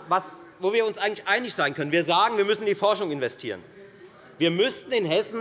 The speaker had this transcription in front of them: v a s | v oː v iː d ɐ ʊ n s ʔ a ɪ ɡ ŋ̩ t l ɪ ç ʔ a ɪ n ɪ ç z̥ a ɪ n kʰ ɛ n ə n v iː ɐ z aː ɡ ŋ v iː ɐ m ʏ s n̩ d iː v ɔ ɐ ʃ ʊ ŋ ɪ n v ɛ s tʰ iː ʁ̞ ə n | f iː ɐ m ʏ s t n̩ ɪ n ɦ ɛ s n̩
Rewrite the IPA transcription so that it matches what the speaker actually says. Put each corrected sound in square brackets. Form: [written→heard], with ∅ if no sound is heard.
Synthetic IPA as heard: v a s | v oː v iː [d→∅] ɐ ʊ n s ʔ a ɪ ɡ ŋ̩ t l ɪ ç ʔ a ɪ n ɪ ç z̥ a ɪ n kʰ [ɛ→œ] n ə n v iː ɐ z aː ɡ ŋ v iː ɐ m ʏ s n̩ d iː [v→f] ɔ ɐ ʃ ʊ ŋ ɪ n v ɛ s tʰ iː ʁ̞ ə n | [f→v] iː ɐ m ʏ s t n̩ ɪ n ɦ ɛ s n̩